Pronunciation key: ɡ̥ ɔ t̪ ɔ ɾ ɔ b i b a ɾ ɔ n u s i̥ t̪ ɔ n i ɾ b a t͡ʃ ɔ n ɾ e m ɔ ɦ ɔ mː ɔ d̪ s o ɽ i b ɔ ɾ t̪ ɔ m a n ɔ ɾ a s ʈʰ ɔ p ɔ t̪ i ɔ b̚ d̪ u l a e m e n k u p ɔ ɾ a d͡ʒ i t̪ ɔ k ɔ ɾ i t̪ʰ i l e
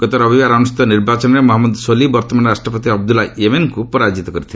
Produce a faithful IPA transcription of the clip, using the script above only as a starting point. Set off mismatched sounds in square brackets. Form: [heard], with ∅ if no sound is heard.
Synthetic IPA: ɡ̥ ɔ t̪ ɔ ɾ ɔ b i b a ɾ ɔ n u s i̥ t̪ ɔ n i ɾ b a t͡ʃ ɔ n ɾ e m ɔ ɦ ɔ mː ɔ d̪ s o [l] i b ɔ ɾ t̪ ɔ m a n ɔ ɾ a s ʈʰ ɔ p ɔ t̪ i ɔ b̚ d̪ u l a e m e n k u p ɔ ɾ a d͡ʒ i t̪ ɔ k ɔ ɾ i t̪ʰ i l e